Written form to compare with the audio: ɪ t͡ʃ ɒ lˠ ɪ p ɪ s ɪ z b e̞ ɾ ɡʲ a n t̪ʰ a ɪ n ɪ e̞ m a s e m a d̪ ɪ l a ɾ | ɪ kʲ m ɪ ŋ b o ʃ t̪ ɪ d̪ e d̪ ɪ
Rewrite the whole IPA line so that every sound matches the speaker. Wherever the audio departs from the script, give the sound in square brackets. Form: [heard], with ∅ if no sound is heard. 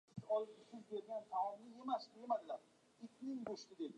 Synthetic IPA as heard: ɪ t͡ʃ ɒ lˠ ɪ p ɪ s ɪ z b e̞ ɾ ɡʲ a n t̪ʰ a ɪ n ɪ e̞ m a s e m a d̪ ɪ l a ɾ | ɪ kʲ [n] ɪ ŋ b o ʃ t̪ ɪ d̪ e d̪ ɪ